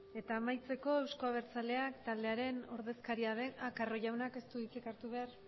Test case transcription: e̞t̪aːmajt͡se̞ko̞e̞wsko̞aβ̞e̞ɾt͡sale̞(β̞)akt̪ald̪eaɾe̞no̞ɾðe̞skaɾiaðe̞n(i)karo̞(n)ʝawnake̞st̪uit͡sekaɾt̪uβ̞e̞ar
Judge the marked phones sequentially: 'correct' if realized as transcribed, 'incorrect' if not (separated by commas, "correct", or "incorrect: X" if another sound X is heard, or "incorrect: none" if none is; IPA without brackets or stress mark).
incorrect: none, incorrect: a, incorrect: none